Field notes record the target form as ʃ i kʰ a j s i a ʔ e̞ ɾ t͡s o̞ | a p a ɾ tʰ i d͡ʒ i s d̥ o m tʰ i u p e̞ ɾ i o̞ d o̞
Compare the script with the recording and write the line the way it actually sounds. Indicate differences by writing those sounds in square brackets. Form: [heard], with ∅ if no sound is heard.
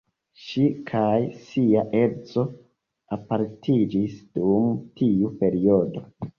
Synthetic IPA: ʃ i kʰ a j s i a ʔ e̞ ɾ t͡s o̞ | a p a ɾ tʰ i d͡ʒ i s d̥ [u] m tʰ i u p e̞ ɾ i o̞ d o̞